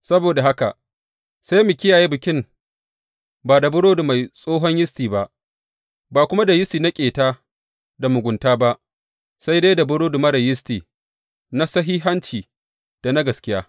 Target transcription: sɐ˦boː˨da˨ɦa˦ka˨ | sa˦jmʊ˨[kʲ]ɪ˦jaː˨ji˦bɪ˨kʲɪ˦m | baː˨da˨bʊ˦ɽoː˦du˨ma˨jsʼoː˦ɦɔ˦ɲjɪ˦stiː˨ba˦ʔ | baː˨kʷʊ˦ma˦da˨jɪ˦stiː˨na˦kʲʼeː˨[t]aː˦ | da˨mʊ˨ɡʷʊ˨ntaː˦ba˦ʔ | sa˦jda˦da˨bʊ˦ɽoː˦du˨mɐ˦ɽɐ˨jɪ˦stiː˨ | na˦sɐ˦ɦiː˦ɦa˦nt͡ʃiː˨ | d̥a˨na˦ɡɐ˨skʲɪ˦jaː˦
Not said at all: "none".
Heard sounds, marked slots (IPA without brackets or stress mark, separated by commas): kʲ, t